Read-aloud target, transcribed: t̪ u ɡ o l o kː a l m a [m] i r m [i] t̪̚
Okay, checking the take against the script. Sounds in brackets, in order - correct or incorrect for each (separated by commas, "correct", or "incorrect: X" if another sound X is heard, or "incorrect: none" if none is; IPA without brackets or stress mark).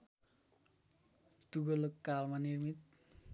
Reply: incorrect: n, correct